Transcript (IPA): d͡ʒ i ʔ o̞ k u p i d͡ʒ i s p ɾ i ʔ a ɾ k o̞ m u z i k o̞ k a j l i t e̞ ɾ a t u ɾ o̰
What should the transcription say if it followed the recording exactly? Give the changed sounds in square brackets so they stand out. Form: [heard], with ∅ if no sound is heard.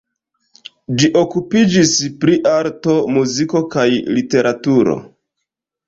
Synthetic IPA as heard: d͡ʒ i ʔ o̞ k u p i d͡ʒ i s p ɾ i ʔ a ɾ [t] o̞ m u z i k o̞ k a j l i t e̞ ɾ a t u ɾ o̰